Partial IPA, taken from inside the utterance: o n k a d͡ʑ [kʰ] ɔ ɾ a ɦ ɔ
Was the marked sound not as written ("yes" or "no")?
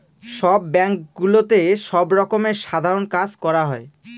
yes